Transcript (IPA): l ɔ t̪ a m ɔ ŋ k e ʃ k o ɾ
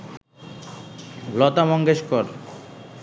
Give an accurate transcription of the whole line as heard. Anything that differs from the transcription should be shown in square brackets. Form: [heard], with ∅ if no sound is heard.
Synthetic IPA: l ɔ t̪ a m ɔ ŋ [ɡ] e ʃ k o ɾ